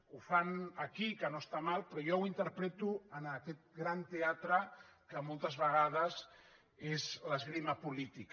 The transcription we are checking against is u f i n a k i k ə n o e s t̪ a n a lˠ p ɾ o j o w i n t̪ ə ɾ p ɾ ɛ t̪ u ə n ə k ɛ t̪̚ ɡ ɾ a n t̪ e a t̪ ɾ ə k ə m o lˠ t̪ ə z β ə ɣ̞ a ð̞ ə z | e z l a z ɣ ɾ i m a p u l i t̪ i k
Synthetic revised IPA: u f a n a k i k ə n o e s t̪ a m a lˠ p ɾ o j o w i n t̪ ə ɾ p ɾ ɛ t̪ u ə n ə k ɛ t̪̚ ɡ ɾ a n t̪ e a t̪ ɾ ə k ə m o lˠ t̪ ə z β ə ɣ̞ a ð̞ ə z | e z l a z ɣ ɾ i m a p u l i t̪ i k